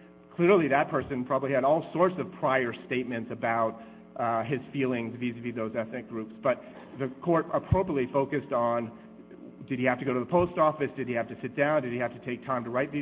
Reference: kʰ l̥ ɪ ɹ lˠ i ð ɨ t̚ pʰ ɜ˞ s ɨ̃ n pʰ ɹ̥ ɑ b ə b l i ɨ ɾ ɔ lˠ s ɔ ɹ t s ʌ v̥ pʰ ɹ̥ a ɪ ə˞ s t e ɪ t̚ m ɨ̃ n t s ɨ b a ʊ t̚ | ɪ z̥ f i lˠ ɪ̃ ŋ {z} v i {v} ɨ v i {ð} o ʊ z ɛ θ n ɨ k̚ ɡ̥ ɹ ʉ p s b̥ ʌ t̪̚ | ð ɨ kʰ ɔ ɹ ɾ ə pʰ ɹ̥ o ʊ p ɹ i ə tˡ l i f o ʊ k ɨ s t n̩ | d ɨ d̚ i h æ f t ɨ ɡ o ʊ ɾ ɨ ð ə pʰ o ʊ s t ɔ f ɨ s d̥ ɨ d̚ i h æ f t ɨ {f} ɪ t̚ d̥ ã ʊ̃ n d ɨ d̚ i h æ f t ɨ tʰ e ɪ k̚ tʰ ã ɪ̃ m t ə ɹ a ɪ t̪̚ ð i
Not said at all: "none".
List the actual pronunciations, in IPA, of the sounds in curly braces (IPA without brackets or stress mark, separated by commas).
z, z, ð, s